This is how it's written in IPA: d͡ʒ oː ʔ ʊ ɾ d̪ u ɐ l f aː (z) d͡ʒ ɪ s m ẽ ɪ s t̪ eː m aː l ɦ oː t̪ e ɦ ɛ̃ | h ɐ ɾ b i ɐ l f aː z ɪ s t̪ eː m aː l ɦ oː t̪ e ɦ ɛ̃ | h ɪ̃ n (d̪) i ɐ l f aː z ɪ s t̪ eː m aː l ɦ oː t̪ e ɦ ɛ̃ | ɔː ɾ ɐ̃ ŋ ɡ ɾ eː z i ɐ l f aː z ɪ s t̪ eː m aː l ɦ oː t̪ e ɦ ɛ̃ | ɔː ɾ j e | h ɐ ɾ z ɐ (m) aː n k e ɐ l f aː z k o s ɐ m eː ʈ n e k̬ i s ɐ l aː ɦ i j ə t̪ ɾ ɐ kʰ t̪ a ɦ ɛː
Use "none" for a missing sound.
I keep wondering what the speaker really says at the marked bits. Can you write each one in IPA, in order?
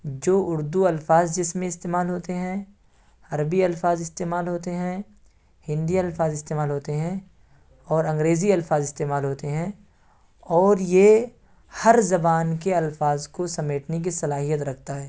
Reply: z, d̪, b

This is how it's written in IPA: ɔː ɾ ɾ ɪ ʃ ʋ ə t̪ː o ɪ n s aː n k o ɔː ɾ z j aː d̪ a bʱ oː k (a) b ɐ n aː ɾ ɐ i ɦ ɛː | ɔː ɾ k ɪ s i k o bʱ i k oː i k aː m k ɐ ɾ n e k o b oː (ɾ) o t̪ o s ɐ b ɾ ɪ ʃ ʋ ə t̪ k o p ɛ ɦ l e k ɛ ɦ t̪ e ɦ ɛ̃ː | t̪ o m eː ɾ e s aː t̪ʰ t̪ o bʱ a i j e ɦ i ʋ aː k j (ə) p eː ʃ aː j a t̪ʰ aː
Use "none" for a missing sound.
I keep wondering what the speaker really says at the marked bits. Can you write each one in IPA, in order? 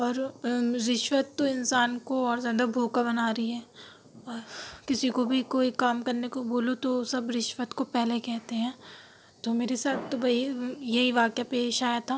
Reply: a, l, a

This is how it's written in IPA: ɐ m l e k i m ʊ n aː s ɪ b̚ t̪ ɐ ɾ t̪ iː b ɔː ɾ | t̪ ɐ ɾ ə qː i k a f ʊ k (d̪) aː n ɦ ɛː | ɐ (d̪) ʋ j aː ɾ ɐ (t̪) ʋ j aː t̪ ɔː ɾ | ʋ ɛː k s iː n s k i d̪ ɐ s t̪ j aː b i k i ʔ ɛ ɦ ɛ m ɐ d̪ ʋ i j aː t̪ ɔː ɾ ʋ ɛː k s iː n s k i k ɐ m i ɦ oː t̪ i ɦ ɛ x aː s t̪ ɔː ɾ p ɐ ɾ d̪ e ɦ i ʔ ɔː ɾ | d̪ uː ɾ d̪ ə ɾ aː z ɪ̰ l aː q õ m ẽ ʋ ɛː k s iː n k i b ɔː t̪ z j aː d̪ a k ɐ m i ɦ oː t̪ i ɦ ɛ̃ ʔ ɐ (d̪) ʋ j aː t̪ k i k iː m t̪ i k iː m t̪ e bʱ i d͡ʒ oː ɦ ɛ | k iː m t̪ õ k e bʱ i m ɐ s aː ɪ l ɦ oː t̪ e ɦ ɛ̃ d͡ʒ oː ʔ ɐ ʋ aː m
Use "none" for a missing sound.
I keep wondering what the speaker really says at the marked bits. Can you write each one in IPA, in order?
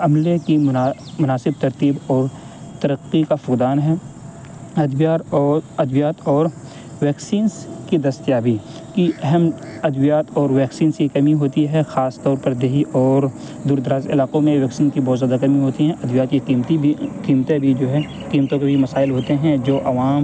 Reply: d̪, d̪, d̪, d̪

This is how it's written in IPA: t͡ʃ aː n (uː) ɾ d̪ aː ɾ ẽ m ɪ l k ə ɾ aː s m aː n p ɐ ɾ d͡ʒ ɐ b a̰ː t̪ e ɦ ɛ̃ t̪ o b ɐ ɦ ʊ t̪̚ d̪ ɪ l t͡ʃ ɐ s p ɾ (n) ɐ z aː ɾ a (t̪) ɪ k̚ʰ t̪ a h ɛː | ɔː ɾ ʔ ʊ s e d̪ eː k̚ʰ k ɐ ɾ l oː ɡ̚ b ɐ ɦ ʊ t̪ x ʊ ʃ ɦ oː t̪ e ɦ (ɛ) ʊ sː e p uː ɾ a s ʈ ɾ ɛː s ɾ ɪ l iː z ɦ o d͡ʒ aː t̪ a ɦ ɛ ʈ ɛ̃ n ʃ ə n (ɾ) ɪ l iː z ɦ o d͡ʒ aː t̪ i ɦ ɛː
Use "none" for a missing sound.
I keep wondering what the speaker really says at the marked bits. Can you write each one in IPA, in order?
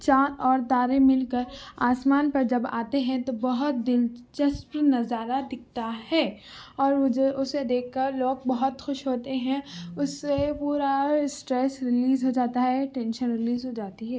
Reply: ɔː, n, d̪, ɛ̃, ɾ

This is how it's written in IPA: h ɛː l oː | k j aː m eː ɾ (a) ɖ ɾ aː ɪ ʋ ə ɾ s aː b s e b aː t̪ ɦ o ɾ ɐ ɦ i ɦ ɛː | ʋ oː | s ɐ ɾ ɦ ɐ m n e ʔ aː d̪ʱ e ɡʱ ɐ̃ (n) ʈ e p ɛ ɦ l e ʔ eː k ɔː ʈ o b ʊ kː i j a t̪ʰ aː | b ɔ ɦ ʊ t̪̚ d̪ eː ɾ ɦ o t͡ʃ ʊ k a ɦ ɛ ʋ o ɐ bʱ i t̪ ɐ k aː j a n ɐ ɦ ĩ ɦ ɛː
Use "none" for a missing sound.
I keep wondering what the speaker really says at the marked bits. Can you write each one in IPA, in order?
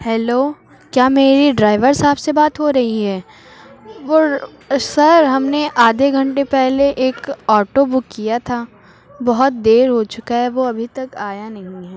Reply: i, ɳ

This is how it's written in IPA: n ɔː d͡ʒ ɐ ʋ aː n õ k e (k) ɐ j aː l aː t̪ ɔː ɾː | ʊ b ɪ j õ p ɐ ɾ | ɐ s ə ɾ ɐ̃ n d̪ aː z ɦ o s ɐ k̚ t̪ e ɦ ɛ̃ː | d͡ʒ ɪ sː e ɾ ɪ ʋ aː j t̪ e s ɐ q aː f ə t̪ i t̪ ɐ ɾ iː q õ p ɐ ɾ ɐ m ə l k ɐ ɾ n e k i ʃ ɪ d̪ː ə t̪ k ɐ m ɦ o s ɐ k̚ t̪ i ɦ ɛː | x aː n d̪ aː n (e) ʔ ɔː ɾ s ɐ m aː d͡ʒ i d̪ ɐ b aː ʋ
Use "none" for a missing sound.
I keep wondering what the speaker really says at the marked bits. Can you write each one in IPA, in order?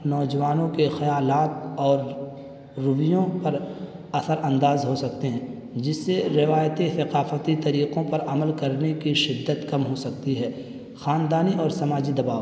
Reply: x, i

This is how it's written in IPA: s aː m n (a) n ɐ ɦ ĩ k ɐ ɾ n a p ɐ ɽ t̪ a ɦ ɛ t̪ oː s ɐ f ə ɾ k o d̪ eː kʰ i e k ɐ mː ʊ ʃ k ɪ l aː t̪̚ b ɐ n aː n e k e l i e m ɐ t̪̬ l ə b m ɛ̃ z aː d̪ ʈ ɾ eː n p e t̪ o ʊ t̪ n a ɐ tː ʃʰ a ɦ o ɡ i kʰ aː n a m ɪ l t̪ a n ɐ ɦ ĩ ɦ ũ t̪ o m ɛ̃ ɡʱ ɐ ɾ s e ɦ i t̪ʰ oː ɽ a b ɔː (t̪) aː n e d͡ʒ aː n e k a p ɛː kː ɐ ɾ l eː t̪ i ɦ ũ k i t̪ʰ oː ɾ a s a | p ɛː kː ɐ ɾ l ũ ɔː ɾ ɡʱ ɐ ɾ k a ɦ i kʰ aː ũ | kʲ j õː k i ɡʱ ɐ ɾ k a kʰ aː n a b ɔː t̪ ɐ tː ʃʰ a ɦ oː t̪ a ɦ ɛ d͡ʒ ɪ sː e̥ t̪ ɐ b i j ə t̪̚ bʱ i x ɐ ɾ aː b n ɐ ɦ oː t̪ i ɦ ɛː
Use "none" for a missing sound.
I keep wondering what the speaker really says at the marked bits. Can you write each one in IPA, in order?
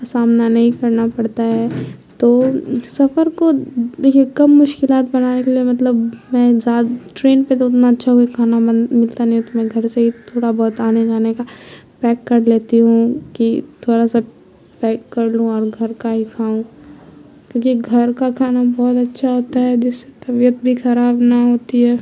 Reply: a, t̪

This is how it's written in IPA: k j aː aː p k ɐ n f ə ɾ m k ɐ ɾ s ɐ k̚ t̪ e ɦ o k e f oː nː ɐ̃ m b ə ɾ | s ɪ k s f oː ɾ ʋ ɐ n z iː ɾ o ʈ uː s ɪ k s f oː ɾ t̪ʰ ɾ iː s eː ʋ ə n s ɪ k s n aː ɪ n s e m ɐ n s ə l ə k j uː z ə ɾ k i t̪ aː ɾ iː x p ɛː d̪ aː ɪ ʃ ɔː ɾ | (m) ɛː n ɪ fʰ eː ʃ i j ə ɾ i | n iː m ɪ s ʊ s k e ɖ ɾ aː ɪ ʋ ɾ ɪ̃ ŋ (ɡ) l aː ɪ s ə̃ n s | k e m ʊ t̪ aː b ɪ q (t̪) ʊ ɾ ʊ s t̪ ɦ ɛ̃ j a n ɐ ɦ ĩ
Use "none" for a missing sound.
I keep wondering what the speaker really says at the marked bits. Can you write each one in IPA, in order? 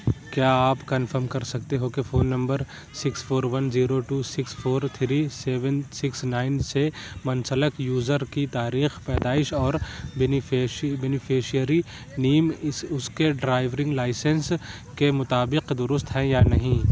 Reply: b, ɡ, d̪

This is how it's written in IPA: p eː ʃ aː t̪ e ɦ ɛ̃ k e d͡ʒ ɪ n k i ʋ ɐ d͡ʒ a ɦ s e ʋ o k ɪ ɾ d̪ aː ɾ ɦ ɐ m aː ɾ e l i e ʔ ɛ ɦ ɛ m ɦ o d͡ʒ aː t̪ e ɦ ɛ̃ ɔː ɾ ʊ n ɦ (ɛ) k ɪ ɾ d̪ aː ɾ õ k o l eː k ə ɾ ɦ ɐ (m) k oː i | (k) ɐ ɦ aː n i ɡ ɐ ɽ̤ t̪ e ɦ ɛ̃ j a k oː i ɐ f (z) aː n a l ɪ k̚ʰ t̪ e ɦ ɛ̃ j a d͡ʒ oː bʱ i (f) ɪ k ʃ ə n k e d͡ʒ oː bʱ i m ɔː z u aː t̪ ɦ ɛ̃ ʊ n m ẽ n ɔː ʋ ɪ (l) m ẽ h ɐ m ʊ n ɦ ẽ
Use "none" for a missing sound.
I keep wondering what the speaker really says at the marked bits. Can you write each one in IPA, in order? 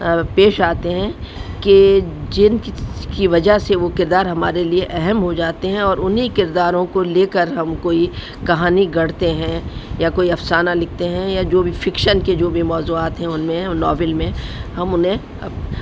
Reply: i, m, k, s, f, l

